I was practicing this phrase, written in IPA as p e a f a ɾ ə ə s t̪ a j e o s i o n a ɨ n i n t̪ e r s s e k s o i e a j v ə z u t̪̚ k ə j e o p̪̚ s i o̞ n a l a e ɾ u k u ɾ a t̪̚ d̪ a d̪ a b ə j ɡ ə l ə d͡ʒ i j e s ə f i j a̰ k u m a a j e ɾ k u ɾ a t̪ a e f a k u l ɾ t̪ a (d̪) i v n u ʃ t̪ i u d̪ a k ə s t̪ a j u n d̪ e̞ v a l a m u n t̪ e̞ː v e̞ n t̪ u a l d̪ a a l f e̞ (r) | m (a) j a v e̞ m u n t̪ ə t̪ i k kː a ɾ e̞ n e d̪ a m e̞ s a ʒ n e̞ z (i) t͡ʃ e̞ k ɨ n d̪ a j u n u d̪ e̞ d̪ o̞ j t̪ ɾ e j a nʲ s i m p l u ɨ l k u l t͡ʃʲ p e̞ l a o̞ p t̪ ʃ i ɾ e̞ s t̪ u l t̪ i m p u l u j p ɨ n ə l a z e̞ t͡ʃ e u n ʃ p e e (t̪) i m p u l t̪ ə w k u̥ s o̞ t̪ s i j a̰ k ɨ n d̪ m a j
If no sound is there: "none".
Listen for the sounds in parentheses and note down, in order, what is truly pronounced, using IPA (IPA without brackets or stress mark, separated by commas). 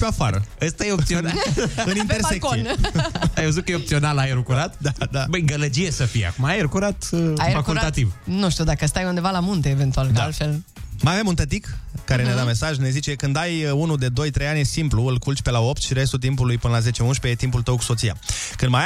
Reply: t̪, l, a, i, t̪